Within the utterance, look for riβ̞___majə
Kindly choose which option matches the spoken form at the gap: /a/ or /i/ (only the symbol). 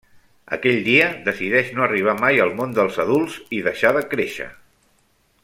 a